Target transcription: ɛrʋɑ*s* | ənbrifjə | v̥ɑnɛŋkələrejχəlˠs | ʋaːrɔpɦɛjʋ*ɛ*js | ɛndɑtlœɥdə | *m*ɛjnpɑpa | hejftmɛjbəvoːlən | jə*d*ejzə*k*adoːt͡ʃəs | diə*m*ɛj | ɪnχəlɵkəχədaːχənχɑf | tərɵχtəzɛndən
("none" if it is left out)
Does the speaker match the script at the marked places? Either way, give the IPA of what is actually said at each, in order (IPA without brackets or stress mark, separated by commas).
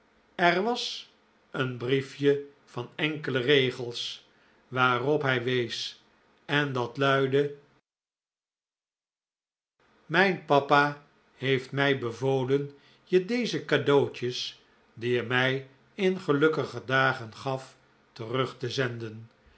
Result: s, e, m, d, k, m